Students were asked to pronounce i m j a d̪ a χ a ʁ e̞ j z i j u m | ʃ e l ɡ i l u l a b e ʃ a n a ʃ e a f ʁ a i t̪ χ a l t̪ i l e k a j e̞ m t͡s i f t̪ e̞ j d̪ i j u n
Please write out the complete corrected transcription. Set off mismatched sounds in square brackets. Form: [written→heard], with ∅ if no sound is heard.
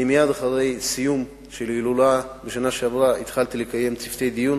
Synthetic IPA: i m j a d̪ a χ a ʁ e̞ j [z→s] i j u m | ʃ e l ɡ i l u l a b e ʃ a n a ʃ e a [f→v] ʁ a i t̪ χ a l t̪ i l e k a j e̞ m t͡s i f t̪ e̞ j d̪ i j u n

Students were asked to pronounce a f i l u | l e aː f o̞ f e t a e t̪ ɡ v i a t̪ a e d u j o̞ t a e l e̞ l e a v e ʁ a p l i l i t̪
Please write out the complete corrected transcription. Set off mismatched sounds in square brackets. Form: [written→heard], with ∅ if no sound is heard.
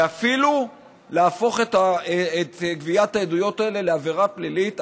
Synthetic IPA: a f i l u | l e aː f o̞ [f→χ] e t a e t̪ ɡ v i a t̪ a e d u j o̞ t a e l e̞ l e a v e ʁ a p l i l i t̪

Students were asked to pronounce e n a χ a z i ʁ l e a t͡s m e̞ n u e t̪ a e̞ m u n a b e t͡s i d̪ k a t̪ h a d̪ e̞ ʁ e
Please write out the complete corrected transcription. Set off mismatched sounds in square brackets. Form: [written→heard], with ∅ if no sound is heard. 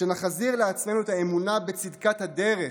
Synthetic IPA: e n a χ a z i ʁ l e a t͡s m e̞ n u e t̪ a e̞ m u n a b e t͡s i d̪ k a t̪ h a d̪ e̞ ʁ e

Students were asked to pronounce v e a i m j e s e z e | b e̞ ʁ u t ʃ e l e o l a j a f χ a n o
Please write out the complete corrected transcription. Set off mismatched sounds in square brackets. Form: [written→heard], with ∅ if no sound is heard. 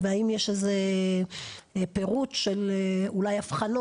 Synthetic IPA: v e a i m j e [s→ʃ] e z e | [b→p] e̞ ʁ u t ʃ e l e [o→u] l a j a f χ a n o

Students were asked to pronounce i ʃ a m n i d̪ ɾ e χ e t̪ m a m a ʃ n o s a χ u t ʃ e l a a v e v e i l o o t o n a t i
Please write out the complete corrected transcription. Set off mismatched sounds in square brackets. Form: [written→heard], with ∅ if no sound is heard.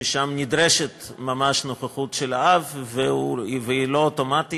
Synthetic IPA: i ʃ a m n i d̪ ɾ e [χ→ʃ] e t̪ m a m a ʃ n o [s→χ] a χ u t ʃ e l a a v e v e i l o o t o [n→m] a t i

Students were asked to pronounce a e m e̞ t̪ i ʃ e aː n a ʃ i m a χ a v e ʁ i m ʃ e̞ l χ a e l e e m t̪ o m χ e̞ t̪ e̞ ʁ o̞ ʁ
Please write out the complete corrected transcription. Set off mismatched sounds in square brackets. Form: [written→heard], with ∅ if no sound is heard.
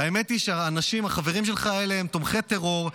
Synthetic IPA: a e m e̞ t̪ i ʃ e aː n a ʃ i m a χ a v e ʁ i m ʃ e̞ l χ a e l e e m t̪ o m χ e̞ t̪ e̞ ʁ o̞ ʁ

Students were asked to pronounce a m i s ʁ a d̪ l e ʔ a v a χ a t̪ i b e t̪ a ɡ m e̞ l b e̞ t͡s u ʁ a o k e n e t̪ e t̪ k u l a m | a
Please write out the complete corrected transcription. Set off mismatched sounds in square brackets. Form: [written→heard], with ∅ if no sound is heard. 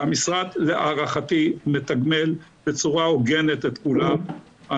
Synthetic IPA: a m i s ʁ a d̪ l e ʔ a [v→ʁ] a χ a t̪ i [b→m] e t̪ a ɡ m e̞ l b e̞ t͡s u ʁ a o [k→ɡ] e n e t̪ e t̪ k u l a m | a

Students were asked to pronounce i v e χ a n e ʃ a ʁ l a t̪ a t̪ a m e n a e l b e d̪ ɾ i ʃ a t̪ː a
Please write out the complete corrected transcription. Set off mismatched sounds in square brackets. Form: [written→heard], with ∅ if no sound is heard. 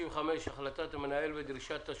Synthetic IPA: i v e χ a [n→m] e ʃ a [ʁ→χ] l a t̪ a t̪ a m e n a e l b e d̪ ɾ i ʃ a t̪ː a

